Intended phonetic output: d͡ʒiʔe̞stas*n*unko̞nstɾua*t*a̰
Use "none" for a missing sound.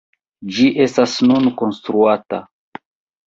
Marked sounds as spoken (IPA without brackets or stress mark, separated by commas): n, t